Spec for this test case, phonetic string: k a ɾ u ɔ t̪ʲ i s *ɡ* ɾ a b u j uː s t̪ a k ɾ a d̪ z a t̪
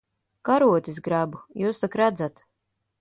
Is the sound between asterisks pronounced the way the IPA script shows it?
yes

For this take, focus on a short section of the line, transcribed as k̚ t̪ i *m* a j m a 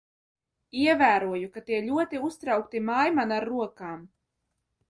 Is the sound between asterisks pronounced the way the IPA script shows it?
yes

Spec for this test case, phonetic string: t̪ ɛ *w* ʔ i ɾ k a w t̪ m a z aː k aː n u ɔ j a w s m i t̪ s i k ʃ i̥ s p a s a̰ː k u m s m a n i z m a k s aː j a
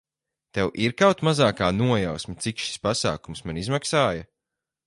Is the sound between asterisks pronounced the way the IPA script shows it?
yes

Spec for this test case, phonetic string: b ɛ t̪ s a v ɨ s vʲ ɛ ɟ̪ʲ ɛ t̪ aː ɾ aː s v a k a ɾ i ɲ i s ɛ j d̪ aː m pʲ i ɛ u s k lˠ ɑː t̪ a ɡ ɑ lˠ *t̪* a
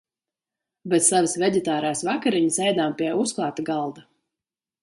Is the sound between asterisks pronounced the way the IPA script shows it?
no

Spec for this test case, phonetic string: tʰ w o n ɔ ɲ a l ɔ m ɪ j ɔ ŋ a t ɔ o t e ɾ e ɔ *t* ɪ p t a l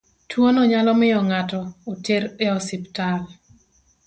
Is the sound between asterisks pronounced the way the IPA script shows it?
no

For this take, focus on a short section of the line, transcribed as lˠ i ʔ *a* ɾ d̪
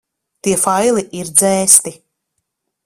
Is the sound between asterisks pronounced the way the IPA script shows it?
no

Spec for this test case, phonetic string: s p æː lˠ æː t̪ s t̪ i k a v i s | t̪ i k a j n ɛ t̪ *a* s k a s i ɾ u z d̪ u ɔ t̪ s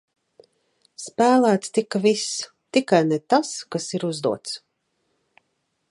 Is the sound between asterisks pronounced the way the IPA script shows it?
yes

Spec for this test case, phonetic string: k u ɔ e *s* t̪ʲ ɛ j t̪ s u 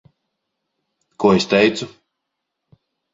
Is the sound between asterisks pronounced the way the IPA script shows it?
yes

